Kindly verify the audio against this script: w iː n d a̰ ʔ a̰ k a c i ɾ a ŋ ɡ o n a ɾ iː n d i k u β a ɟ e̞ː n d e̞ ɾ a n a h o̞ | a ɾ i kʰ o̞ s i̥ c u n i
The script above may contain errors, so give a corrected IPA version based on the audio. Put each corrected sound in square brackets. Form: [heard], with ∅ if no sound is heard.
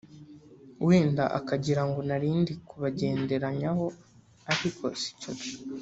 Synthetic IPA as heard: w iː n d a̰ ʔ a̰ k a [ɟ] i ɾ a ŋ ɡ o n a ɾ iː n d i k u β a ɟ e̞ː n d e̞ ɾ a [ɲ] a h o̞ | a ɾ i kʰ o̞ s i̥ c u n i